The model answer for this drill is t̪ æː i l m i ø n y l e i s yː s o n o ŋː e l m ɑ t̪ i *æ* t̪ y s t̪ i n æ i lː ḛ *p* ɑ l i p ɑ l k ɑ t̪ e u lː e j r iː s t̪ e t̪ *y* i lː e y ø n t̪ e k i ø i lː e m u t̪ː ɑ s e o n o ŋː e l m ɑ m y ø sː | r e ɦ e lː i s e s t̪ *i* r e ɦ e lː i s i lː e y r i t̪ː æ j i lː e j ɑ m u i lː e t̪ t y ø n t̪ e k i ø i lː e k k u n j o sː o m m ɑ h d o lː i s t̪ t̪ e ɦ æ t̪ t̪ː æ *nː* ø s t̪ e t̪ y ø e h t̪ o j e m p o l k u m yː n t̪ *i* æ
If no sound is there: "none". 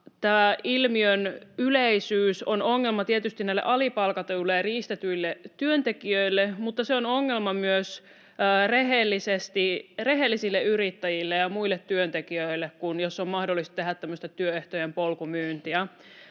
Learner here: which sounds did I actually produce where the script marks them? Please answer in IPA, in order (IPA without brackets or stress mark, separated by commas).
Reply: e, ʔ, y, i, mː, i